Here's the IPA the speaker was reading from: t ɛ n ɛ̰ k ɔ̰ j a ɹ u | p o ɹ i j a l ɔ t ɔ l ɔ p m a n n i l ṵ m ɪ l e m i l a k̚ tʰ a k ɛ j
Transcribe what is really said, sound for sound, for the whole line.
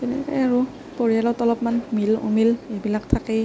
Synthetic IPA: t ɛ n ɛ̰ k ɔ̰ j a ɹ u | p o ɹ i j a l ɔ t ɔ l ɔ p m a n m i l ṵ m i l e b i l a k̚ tʰ a k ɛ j